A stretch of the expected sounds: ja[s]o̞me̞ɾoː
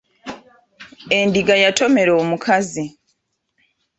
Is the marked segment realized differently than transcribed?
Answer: yes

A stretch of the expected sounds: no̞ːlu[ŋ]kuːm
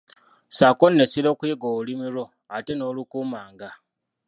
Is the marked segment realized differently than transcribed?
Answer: yes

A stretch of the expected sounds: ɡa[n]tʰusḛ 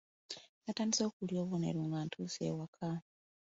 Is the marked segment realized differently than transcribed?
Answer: no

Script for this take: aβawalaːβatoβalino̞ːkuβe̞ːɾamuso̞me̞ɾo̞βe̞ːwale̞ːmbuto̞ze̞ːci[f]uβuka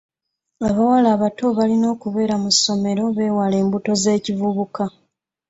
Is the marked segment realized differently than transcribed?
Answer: yes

